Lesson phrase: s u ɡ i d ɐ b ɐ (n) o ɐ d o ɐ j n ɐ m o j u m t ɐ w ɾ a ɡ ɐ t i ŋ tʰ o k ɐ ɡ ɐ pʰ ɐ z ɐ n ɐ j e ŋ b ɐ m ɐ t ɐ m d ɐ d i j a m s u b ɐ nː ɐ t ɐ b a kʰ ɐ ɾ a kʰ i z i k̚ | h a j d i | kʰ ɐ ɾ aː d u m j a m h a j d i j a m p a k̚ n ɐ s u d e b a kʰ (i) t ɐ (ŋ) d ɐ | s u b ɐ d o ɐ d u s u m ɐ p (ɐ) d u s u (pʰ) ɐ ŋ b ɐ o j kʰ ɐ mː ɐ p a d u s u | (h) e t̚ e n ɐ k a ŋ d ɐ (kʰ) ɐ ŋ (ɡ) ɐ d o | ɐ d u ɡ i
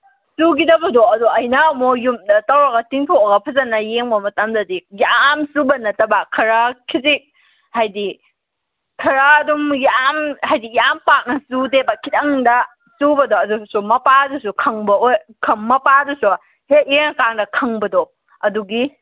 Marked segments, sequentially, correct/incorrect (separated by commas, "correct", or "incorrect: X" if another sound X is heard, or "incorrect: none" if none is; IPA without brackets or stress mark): incorrect: d, correct, correct, incorrect: a, incorrect: kʰ, correct, correct, incorrect: b